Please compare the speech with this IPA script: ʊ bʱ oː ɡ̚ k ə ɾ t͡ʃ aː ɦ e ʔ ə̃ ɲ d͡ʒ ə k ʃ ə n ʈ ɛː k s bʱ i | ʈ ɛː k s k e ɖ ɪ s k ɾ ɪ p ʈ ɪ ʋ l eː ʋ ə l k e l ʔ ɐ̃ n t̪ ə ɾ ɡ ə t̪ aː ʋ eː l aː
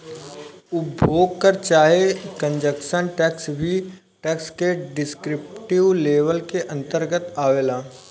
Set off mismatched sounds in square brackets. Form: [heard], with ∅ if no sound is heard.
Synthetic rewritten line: ʊ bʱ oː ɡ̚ k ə ɾ t͡ʃ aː ɦ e [k] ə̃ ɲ d͡ʒ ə k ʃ ə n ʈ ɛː k s bʱ i | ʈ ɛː k s k e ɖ ɪ s k ɾ ɪ p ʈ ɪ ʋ l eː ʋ ə l k e [∅] ʔ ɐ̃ n t̪ ə ɾ ɡ ə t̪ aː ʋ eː l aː